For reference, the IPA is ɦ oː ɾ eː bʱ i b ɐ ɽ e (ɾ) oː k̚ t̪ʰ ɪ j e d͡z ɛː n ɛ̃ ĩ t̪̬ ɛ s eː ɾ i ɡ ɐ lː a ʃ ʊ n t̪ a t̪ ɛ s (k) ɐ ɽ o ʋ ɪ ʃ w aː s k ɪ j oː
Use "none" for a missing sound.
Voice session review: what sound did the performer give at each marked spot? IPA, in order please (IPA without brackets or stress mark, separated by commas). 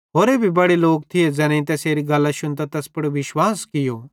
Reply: l, p